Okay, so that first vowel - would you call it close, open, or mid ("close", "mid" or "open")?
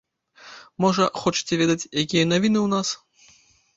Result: mid